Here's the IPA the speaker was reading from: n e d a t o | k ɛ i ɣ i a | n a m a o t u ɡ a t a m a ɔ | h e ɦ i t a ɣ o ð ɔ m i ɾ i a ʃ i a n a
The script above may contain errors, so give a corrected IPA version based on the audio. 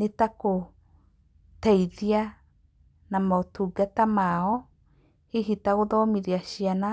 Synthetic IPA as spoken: n e t a k o | t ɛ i ð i a | n a m a o t u ɡ a t a m a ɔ | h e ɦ i t a ɣ o ð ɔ m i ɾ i a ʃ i a n a